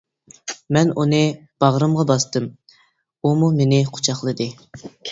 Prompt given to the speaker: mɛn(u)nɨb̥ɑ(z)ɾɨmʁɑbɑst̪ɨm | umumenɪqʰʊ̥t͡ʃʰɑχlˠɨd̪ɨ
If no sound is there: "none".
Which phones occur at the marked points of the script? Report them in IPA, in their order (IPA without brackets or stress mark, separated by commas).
u, ʁ